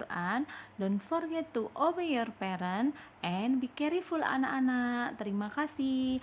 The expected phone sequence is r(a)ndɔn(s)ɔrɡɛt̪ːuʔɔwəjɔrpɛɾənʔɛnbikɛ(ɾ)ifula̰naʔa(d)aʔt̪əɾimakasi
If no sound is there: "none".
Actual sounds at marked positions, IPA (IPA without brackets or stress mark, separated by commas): a, f, ɾ, n